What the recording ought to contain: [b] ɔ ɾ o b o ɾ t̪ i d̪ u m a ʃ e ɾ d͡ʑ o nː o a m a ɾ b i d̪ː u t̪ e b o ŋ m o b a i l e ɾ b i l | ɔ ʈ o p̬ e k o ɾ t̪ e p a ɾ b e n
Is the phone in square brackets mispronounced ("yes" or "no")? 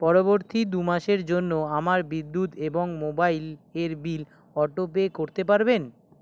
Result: yes